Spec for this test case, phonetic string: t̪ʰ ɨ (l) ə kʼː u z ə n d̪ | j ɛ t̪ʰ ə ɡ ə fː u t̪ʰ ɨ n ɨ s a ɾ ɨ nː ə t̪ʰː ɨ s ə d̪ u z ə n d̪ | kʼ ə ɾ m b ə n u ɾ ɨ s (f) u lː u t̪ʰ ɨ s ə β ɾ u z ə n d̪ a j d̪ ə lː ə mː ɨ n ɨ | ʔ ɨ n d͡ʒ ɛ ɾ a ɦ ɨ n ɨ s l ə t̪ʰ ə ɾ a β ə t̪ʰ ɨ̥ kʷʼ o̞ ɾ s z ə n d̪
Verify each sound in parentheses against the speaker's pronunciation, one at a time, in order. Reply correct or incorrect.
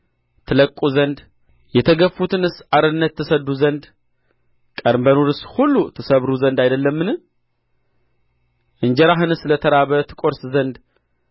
correct, incorrect: h

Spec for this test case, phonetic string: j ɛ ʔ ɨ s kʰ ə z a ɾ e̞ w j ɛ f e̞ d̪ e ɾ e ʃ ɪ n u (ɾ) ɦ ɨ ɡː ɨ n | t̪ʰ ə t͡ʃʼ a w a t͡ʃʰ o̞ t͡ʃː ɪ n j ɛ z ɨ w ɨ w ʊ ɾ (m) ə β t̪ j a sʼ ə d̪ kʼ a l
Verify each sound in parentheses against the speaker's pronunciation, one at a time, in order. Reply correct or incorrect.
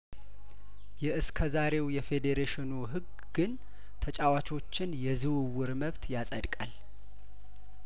incorrect: none, correct

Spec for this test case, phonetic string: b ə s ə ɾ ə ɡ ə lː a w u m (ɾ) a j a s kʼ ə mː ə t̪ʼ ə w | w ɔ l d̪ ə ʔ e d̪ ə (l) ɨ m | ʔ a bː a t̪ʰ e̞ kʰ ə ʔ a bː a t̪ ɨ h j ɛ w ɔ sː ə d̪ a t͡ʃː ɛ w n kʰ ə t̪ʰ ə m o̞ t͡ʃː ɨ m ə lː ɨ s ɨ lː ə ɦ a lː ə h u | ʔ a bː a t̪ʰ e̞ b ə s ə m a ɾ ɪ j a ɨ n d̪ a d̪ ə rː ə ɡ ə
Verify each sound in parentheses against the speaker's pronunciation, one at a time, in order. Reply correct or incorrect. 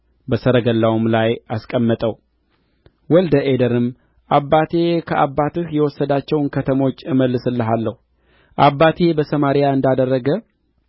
incorrect: l, incorrect: ɾ

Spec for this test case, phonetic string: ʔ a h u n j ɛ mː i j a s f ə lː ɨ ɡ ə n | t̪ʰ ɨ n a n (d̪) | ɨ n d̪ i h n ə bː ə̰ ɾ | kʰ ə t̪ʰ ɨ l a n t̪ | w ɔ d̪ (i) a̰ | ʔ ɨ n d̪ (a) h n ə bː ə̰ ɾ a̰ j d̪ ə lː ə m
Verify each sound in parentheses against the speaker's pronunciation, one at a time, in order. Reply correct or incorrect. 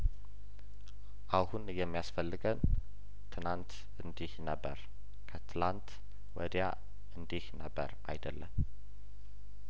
incorrect: t̪, incorrect: j, incorrect: i

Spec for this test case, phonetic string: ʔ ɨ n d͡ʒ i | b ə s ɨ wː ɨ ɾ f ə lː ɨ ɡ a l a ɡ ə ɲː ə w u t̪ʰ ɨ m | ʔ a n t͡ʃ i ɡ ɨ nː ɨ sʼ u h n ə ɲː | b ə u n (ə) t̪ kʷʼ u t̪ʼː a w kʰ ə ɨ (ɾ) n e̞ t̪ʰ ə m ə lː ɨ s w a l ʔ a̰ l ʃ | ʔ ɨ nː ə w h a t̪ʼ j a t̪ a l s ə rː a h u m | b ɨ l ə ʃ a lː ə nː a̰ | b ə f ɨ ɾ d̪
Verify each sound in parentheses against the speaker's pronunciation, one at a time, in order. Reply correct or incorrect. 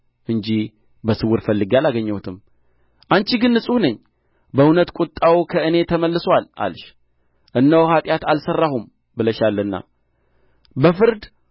correct, incorrect: none

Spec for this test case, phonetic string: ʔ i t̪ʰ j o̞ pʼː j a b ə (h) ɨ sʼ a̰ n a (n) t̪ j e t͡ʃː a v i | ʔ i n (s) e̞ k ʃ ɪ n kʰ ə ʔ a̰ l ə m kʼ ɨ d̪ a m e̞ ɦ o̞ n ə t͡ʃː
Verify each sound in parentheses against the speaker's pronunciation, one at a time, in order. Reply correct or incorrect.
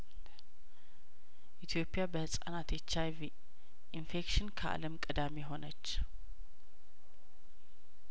correct, incorrect: none, incorrect: f

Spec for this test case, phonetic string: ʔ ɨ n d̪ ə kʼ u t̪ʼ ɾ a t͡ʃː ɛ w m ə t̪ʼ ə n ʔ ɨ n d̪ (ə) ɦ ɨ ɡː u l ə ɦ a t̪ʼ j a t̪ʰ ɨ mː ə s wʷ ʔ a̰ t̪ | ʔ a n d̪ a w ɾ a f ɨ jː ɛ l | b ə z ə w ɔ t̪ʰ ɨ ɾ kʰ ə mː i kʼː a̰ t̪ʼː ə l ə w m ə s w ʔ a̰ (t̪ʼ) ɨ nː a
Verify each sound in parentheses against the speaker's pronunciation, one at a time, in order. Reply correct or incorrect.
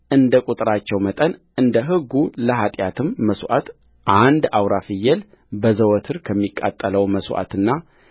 correct, incorrect: t̪

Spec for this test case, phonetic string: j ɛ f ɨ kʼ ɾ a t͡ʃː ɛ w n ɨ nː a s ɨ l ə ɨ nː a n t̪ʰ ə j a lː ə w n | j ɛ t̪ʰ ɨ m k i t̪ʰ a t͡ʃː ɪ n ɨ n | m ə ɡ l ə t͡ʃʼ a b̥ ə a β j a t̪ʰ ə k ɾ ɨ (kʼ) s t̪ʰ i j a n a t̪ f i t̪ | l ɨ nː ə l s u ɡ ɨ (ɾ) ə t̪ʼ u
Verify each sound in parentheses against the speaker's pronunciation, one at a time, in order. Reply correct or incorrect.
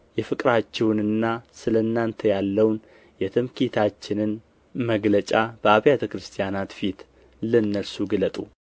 incorrect: none, incorrect: l

